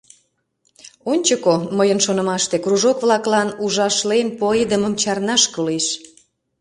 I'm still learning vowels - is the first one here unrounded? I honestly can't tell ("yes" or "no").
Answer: no